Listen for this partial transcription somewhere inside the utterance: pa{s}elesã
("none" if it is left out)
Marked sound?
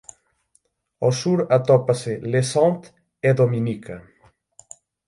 s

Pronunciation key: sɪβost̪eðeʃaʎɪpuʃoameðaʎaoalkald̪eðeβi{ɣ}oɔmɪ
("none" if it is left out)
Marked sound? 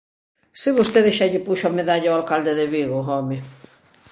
ɣ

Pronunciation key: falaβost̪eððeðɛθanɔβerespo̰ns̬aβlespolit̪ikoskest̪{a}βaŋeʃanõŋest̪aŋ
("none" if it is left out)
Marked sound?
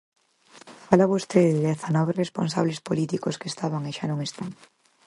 a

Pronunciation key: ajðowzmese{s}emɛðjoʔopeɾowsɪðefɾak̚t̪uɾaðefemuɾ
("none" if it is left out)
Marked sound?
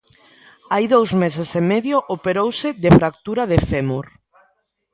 s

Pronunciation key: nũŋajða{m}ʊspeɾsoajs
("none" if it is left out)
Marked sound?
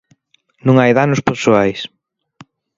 n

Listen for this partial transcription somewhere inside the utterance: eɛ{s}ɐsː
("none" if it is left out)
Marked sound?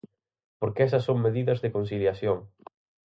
s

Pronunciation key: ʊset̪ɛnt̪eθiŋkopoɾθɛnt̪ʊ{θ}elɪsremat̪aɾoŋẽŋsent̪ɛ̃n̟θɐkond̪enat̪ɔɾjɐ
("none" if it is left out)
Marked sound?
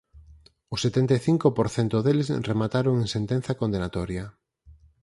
ð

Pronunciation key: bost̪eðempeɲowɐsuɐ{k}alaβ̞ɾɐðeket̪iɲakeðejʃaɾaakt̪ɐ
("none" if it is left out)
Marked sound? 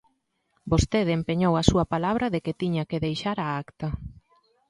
p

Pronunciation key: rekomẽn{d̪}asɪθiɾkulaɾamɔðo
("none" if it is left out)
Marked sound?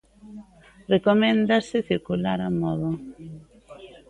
d̪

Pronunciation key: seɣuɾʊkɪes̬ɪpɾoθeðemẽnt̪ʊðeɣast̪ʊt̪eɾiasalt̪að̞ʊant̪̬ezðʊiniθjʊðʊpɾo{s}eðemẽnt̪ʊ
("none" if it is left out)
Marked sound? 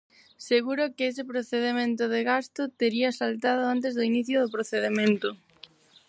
θ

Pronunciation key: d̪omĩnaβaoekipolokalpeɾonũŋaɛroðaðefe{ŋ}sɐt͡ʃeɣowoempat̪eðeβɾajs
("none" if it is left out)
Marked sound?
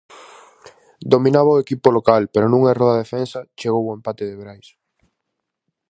n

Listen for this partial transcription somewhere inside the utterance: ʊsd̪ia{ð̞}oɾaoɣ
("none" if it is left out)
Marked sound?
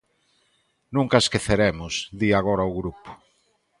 ɣ̞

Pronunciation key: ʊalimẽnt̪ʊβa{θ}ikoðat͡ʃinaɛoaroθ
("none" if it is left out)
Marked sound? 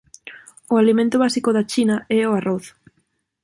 s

